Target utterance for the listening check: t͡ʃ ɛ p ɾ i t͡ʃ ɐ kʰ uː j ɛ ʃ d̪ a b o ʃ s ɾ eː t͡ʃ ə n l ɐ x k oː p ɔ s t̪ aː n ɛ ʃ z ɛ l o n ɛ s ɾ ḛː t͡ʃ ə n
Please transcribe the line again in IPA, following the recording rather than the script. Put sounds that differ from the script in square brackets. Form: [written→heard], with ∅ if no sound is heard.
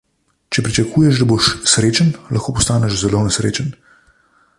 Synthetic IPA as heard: t͡ʃ ɛ p ɾ i t͡ʃ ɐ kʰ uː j ɛ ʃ d̪ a b o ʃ s ɾ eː t͡ʃ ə n l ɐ x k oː p ɔ s t̪ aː n ɛ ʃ z ɛ l o n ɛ s ɾ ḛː t͡ʃ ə n